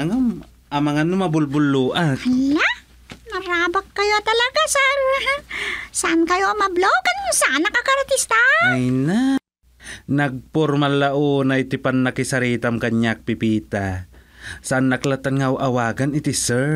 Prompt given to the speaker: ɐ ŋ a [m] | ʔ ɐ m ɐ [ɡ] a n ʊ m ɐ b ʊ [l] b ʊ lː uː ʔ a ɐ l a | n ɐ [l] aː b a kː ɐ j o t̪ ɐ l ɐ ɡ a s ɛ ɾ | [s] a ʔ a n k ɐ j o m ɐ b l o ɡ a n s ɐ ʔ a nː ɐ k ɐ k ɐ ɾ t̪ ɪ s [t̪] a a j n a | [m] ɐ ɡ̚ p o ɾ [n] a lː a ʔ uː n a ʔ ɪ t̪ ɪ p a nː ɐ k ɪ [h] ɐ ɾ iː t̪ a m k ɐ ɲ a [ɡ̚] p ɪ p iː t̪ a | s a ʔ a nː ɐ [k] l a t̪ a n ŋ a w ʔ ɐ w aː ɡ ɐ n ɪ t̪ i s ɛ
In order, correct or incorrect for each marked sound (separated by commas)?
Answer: correct, incorrect, correct, incorrect, correct, correct, incorrect, incorrect, incorrect, incorrect, correct